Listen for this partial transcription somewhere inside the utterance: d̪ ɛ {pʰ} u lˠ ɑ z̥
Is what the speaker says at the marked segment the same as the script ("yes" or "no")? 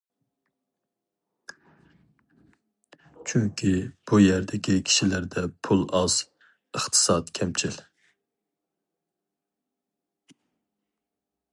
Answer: yes